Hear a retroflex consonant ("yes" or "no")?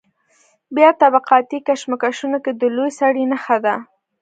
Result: yes